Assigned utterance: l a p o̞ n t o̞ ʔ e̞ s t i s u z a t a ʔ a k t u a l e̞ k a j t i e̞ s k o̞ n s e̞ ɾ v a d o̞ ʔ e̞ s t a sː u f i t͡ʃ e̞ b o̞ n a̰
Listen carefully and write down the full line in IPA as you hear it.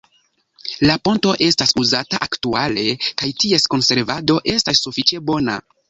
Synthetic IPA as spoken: l a p o̞ n t o̞ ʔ e̞ s t a s u z a t a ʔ a k t u a l e̞ k a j t i e̞ s k o̞ n s e̞ ɾ v a d o̞ ʔ e̞ s t a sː u f i t͡ʃ e̞ b o̞ n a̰